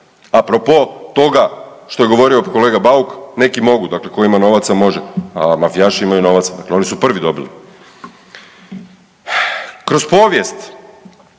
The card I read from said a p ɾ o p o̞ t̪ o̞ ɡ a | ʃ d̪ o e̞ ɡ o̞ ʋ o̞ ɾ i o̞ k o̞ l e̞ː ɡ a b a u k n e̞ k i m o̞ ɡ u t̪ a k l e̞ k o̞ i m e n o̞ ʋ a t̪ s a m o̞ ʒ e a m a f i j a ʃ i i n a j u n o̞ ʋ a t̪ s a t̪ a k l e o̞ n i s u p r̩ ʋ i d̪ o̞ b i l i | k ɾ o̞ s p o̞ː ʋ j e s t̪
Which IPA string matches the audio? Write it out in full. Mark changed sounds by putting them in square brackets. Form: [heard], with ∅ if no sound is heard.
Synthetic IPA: a p ɾ o p o̞ t̪ o̞ ɡ a | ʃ [t̪] o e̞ ɡ o̞ ʋ o̞ ɾ i o̞ k o̞ l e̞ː ɡ a b a u k n e̞ k i m o̞ ɡ u [d̪] a k l e̞ k o̞ i m [a] n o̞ ʋ a t̪ s a m o̞ ʒ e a m a f i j a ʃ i i [m] a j u n o̞ ʋ a t̪ s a [d̪] a k l e o̞ n i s u p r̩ ʋ i d̪ o̞ b i l i | k ɾ o̞ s p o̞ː ʋ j e s t̪

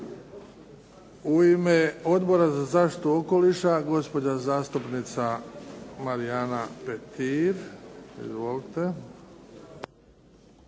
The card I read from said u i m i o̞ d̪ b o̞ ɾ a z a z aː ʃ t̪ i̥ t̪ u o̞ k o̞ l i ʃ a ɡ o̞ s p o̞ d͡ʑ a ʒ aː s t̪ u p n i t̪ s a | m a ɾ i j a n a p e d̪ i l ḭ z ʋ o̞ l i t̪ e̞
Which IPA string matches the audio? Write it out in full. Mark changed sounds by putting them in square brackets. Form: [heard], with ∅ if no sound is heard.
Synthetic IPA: u i m [e] o̞ d̪ b o̞ ɾ a z a z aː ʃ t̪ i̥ t̪ u o̞ k o̞ l i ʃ a ɡ o̞ s p o̞ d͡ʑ a [z] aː s t̪ u p n i t̪ s a | m a ɾ i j a n a p e [t̪] i [ɾ] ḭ z ʋ o̞ l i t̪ e̞

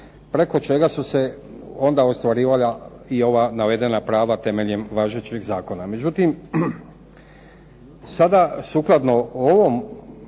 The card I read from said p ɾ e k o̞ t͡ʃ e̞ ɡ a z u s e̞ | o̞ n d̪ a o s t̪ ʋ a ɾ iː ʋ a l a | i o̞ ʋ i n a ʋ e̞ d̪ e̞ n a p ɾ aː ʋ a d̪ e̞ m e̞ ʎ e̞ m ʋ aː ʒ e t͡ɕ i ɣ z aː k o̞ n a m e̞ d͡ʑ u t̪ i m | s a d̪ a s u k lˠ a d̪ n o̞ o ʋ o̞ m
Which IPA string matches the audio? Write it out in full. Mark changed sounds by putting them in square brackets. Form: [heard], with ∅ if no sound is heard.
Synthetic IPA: p ɾ e k o̞ t͡ʃ e̞ ɡ a [s] u s e̞ | o̞ n d̪ a o s t̪ ʋ a ɾ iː ʋ a l a | i o̞ ʋ [a] n a ʋ e̞ d̪ e̞ n a p ɾ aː ʋ a [t̪] e̞ m e̞ ʎ e̞ m ʋ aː ʒ e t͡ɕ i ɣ z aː k o̞ n a m e̞ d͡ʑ u t̪ i m | s a d̪ a s u k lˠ a d̪ n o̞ o ʋ o̞ m

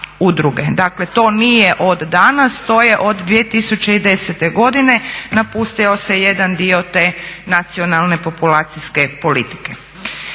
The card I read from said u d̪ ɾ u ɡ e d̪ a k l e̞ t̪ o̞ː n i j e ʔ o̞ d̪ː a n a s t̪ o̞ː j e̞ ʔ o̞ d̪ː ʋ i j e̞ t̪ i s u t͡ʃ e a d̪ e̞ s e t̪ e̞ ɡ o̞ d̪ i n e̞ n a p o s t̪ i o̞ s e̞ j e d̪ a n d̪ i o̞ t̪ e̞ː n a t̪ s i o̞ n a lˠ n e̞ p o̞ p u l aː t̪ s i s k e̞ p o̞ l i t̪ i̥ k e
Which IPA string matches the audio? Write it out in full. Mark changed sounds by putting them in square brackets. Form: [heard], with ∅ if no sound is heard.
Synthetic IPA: u d̪ ɾ u ɡ e d̪ a k l e̞ t̪ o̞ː n i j e ʔ o̞ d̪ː a n a s t̪ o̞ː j e̞ ʔ o̞ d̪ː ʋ i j e̞ t̪ i s u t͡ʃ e [i] d̪ e̞ s e t̪ e̞ ɡ o̞ d̪ i n e̞ n a p [u] s t̪ i o̞ s e̞ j e d̪ a n d̪ i o̞ t̪ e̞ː n a t̪ s i o̞ n a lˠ n e̞ p o̞ p u l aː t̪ s i s k e̞ p o̞ l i t̪ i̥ k e

